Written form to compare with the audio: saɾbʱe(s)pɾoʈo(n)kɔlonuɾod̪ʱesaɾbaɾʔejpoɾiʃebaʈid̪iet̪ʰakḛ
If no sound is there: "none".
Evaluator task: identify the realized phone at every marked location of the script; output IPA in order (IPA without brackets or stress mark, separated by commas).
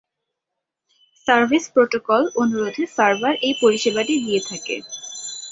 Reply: s, none